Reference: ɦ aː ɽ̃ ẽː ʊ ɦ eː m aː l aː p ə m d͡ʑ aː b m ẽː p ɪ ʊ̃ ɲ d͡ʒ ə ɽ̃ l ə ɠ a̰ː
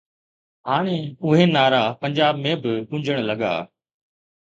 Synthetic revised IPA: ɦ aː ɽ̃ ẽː ʊ ɦ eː n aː ɾ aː p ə ɲ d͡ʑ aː b m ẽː b ɪ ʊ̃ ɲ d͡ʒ ə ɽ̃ l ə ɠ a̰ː